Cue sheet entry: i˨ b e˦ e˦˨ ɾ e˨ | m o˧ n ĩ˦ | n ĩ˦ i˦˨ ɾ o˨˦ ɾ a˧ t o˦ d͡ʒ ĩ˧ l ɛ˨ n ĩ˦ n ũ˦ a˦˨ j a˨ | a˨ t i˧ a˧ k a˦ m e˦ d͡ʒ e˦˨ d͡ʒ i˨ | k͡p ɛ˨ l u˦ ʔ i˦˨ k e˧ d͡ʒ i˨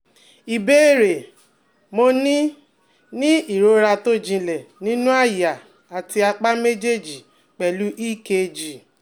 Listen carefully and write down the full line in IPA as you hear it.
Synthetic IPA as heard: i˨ b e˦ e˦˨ ɾ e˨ | m o˧ n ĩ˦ | n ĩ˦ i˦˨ ɾ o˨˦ ɾ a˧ t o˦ d͡ʒ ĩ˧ l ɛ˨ n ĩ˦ n ũ˦ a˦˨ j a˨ | a˨ t i˧ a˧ k͡p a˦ m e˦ d͡ʒ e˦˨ d͡ʒ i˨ | k͡p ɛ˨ l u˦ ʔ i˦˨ k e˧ d͡ʒ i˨